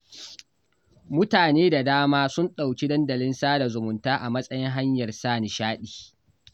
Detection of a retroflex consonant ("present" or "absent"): absent